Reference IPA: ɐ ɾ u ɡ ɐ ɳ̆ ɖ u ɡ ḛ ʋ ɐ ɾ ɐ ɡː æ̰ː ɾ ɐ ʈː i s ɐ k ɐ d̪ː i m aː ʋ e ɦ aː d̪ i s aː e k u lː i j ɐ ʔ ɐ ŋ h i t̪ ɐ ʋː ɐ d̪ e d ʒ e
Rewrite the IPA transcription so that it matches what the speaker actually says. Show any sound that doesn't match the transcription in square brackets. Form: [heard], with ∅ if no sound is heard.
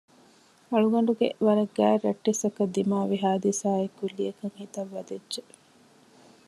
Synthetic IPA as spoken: ɐ [ɭ] u ɡ ɐ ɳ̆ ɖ u ɡ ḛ ʋ ɐ ɾ ɐ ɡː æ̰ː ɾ ɐ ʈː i s ɐ k ɐ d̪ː i m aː ʋ [i] ɦ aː d̪ i s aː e k u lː i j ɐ [k] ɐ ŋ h i t̪ ɐ ʋː ɐ d̪ e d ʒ e